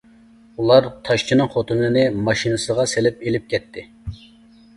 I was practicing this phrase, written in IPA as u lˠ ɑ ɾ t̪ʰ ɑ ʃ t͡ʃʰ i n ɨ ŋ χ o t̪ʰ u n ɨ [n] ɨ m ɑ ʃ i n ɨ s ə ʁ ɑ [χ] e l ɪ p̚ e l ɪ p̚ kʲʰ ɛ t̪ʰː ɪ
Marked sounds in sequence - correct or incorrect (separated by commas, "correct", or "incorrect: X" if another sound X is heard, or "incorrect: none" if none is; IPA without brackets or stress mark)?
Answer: correct, incorrect: s